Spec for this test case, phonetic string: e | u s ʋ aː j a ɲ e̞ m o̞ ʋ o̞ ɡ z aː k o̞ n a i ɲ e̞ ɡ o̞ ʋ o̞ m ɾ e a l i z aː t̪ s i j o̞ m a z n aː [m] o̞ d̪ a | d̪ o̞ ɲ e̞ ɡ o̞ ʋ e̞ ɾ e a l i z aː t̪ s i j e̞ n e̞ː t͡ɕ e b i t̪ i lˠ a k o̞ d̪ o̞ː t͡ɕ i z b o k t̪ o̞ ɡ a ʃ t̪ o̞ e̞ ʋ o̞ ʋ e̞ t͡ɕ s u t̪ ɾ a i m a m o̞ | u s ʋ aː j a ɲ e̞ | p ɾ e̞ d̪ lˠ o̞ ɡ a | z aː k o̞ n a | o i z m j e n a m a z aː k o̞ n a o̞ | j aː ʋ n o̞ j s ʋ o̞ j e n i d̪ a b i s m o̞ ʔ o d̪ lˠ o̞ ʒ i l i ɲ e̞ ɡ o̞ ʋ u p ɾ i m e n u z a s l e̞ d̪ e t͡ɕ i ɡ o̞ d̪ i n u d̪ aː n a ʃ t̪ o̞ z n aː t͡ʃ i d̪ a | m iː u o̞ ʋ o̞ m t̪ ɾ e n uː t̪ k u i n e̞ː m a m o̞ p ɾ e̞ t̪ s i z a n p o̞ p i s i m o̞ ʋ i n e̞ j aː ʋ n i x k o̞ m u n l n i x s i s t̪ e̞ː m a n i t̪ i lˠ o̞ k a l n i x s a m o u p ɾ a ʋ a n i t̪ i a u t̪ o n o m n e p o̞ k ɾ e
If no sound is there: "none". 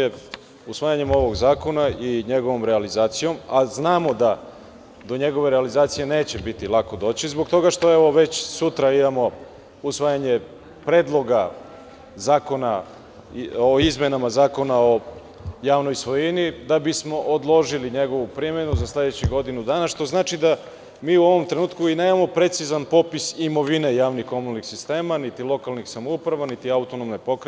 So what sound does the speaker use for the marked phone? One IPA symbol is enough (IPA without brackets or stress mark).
m